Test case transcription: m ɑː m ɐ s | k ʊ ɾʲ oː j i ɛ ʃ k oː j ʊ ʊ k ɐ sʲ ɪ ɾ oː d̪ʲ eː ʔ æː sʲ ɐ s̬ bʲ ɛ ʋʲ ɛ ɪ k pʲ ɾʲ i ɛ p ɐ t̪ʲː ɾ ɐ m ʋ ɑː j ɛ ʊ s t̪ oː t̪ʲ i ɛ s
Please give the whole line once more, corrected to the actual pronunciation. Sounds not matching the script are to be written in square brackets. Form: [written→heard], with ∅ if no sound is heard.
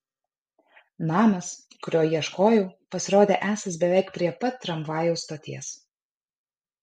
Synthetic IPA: [m→n] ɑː m ɐ s | k ʊ ɾʲ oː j i ɛ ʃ k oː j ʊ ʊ [k→p] ɐ sʲ ɪ ɾ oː d̪ʲ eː ʔ æː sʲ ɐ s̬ bʲ ɛ ʋʲ ɛ ɪ k pʲ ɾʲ i ɛ p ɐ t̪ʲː ɾ ɐ m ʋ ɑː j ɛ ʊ s t̪ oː t̪ʲ i ɛ s